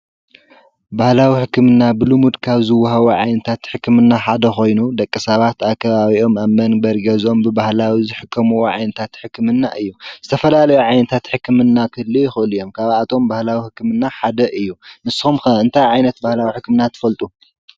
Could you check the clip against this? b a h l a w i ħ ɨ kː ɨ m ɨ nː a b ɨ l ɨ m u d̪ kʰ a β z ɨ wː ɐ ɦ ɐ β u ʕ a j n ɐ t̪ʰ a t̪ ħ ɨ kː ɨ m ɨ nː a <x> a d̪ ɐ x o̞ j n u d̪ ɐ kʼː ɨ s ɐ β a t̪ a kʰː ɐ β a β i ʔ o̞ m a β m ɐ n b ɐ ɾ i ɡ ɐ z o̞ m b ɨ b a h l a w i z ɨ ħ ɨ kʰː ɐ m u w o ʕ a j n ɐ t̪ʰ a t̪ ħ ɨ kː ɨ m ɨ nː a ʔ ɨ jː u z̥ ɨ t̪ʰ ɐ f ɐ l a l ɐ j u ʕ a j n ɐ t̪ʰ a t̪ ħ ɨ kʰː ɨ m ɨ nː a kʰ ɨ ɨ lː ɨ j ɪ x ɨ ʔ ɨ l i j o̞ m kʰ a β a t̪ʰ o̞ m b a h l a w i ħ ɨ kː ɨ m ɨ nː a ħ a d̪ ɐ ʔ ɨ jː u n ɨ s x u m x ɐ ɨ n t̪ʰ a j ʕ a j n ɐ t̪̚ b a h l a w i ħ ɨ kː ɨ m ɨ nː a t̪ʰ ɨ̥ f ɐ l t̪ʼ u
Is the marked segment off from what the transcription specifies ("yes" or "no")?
yes